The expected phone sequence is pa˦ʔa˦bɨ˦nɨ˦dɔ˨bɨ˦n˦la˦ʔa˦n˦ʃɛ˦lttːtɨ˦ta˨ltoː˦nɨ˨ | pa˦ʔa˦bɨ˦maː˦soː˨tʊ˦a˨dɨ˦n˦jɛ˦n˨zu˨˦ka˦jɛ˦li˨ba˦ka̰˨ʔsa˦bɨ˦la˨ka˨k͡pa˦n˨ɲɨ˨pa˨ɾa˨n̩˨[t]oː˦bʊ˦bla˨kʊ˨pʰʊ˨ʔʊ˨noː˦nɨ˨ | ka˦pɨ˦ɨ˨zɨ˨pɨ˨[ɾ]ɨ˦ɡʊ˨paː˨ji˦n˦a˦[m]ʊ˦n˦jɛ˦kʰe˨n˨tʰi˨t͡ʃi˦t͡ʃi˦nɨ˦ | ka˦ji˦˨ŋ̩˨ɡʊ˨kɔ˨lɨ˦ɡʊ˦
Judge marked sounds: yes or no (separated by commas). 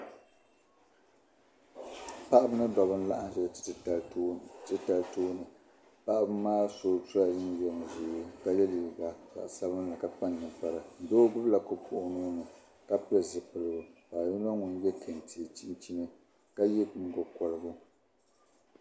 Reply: no, no, no